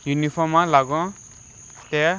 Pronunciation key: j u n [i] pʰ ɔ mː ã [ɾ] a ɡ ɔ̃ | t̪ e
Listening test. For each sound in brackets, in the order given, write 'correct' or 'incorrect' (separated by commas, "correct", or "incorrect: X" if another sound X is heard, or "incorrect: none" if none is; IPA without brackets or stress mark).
correct, incorrect: l